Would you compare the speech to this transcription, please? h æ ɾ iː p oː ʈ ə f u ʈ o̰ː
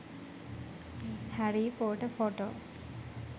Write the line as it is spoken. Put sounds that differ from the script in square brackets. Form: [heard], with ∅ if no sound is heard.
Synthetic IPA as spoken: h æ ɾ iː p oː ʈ ə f [o] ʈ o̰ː